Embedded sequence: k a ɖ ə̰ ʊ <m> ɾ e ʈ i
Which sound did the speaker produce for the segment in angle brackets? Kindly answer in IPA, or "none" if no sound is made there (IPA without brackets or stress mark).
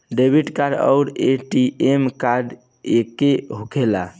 none